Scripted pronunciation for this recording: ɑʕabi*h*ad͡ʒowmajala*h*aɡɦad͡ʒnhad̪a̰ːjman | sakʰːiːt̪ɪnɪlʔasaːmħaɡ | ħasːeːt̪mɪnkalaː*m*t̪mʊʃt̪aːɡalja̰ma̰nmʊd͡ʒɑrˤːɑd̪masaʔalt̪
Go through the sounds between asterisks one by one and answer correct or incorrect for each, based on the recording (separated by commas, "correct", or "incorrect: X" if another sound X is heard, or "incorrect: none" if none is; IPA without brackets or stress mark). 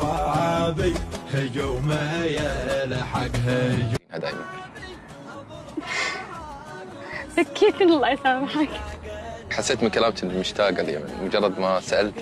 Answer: correct, incorrect: ħ, correct